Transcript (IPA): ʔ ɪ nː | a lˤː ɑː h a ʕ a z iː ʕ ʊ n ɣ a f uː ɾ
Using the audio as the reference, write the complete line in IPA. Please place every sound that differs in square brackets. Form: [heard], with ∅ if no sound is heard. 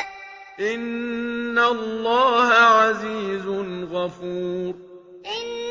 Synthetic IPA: ʔ ɪ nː | a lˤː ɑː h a ʕ a z iː [z] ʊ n ɣ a f uː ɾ